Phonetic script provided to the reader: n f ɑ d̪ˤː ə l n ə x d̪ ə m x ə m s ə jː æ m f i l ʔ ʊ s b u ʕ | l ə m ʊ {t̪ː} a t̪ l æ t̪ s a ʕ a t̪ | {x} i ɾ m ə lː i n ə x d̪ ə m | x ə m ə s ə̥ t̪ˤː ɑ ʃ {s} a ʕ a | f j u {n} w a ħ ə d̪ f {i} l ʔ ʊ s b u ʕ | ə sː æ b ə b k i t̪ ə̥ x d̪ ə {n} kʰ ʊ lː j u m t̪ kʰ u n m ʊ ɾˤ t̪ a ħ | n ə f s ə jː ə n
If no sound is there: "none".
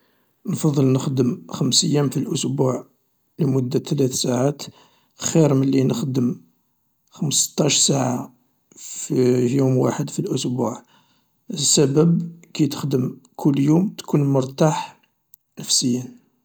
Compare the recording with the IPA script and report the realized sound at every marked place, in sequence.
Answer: d̪ː, x, s, m, i, m

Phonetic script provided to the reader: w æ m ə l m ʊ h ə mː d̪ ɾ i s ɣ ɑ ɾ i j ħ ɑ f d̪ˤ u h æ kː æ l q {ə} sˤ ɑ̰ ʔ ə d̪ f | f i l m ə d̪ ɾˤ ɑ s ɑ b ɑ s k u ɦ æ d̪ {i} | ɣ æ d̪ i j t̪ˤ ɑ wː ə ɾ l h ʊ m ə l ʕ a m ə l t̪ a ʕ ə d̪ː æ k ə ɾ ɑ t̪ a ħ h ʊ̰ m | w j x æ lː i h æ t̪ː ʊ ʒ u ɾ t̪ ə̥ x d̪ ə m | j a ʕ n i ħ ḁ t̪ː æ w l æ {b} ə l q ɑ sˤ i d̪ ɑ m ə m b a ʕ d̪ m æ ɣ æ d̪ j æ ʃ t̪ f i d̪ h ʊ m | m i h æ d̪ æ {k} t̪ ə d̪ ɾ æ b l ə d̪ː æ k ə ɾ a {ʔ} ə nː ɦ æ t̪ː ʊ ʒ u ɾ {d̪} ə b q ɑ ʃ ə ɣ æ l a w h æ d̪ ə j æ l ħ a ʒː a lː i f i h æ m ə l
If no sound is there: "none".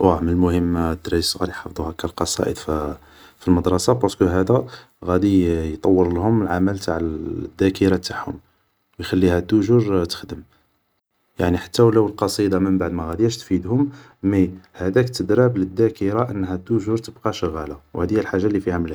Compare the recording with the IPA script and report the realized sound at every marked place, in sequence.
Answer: ɑ, æ, w, k, ʔ, t̪

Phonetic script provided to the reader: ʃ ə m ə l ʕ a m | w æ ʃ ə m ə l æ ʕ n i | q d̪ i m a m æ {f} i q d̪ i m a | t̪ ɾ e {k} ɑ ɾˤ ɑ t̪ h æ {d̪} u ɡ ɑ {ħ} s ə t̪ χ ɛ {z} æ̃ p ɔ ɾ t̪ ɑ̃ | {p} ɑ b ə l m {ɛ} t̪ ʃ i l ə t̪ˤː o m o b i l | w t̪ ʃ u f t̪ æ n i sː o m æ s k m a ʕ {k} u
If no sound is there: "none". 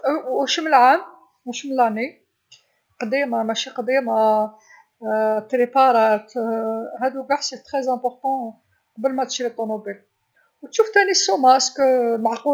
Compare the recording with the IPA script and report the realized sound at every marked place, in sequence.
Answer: ʃ, p, d̪, ħ, z, q, æ, q

